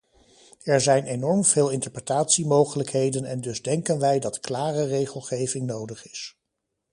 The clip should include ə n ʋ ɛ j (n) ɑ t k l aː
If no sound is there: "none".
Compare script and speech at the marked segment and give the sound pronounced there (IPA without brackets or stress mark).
d